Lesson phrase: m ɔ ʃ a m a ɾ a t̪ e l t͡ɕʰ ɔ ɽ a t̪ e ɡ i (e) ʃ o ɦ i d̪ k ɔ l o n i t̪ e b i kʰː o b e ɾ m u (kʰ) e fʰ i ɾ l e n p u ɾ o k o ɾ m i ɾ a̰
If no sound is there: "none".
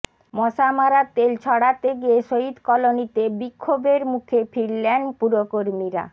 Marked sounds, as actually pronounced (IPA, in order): e, kʰ

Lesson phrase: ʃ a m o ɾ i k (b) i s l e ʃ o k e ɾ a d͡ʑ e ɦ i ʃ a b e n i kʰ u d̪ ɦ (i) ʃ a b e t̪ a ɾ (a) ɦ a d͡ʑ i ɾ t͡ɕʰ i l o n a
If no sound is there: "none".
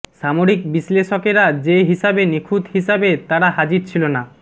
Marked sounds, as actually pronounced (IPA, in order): b, i, a

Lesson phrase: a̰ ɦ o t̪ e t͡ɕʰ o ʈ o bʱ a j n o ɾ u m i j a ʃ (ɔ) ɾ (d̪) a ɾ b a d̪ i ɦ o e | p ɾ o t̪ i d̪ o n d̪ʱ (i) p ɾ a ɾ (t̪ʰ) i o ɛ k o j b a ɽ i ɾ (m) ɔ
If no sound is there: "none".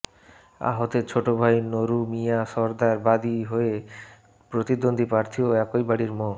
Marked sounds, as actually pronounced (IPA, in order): ɔ, d̪, i, t̪ʰ, m

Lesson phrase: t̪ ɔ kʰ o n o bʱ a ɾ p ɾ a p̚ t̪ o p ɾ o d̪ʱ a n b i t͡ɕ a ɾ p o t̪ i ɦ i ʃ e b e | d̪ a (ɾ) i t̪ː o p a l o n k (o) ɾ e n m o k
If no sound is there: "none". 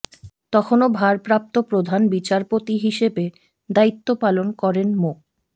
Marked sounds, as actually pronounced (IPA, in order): none, ɔ

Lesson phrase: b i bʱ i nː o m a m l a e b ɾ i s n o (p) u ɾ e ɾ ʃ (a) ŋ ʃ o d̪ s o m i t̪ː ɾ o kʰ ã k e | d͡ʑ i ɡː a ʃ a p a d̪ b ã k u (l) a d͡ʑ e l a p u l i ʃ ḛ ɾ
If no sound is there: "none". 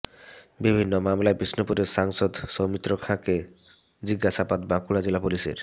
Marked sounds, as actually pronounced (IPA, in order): p, a, ɽ

